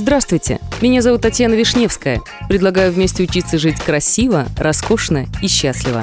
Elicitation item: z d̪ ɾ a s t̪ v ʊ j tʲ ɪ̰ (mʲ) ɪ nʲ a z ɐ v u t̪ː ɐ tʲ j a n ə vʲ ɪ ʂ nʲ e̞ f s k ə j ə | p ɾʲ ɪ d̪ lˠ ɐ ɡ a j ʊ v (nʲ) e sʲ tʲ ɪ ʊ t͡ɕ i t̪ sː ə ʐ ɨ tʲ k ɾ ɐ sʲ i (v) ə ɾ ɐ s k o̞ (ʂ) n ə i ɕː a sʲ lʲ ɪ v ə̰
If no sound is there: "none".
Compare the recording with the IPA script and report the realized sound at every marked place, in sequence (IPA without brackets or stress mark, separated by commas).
mʲ, mʲ, v, ʂ